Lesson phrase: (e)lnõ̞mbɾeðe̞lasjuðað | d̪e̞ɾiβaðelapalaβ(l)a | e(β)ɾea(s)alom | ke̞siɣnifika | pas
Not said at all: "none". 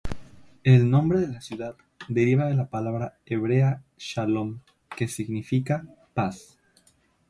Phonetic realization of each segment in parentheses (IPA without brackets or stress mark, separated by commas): e, ɾ, β, ʃ